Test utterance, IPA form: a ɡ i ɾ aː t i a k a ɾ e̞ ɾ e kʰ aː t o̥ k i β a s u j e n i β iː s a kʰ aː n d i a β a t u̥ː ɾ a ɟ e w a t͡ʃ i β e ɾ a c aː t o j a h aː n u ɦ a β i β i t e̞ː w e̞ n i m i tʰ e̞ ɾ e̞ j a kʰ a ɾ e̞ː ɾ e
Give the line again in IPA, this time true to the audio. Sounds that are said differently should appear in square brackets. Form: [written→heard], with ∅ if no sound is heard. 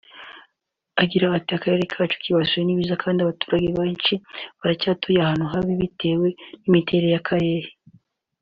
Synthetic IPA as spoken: a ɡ i ɾ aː t i a k a ɾ e̞ ɾ e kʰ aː [t→t͡ʃ] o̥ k i β a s u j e n i β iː [s→z] a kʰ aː n d i a β a t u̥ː ɾ a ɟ e [w→β] a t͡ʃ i β [e→a] ɾ a c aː t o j a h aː n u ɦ a β i β i t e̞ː w e̞ n i m i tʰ e̞ ɾ e̞ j a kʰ a ɾ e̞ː ɾ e